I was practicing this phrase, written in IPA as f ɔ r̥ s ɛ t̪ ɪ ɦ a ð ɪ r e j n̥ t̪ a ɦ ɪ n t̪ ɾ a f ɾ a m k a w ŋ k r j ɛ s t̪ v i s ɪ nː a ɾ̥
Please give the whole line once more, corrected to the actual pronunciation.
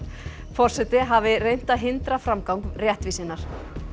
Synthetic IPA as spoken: f ɔ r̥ s ɛ t̪ ɪ ɦ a v ɪ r e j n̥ t̪ a ɦ ɪ n t̪ ɾ a f ɾ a m k a w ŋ k r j ɛ h t̪ v i s ɪ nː a ɾ̥

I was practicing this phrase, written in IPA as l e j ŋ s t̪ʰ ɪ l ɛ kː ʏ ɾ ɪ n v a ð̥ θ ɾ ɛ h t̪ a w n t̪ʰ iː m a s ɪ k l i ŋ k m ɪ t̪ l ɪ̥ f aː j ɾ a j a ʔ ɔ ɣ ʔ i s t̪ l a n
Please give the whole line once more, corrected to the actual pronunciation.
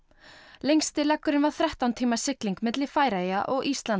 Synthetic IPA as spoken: l e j ŋ s t̪ ɪ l ɛ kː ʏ ɾ ɪ n v a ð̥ θ ɾ ɛ h t̪ a w n t̪ʰ iː m a s ɪ k l i ŋ k m ɪ t̪ l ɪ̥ f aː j ɾ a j a ʔ ɔ ɣ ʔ i s t̪ l a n

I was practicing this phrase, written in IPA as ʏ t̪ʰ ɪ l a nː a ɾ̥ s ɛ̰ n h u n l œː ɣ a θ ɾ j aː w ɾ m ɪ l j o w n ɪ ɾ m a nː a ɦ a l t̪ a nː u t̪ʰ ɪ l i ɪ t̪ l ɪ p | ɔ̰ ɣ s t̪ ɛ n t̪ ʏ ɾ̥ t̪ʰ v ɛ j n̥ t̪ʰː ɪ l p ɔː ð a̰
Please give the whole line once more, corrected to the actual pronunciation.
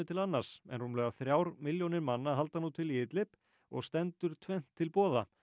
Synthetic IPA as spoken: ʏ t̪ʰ ɪ l a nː a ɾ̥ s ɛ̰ n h u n l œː ɣ a θ ɾ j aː w ɾ m ɪ l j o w n ɪ ɾ m a nː a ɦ a l t̪ a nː u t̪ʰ ɪ l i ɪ t̪ l ɪ p | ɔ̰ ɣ s t̪ ɛ n t̪ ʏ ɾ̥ t̪ʰ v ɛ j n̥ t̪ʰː ɪ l p ɔː ð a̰

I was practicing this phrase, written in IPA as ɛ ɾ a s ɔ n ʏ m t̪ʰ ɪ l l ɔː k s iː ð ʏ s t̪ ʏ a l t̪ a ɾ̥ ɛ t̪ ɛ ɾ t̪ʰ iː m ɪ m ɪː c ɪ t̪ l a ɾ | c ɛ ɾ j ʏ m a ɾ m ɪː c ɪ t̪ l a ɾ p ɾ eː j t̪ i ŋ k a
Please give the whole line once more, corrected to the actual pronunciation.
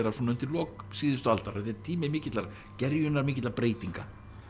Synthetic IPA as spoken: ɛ ɾ a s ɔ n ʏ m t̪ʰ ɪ l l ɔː k s iː ð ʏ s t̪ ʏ a l t̪ a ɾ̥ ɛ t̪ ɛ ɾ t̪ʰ iː m ɪ m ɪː c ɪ t̪ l a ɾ | c ɛ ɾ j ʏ n a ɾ m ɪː c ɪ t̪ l a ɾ p ɾ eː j t̪ i ŋ k a

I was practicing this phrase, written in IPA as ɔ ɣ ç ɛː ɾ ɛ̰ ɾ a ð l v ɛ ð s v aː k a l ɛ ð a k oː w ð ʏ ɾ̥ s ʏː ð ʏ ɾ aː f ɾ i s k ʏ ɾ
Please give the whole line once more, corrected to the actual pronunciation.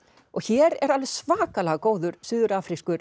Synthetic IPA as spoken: ɔ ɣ ç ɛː ɾ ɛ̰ ɾ a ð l v ɛ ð s v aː k a l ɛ ɣ a k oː w ð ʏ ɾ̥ s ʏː ð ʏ ɾ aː f ɾ i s k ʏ ɾ

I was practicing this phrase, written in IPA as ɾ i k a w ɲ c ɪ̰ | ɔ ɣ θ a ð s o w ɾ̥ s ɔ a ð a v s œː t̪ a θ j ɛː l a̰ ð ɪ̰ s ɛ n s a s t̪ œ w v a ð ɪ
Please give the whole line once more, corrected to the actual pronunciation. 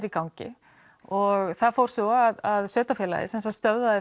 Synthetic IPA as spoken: ɾ i k a w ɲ c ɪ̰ | ɔ ɣ θ a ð f o w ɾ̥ s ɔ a ð a ð s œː t̪ a f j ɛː l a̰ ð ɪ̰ s ɛ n s a s t̪ œ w ð a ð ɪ

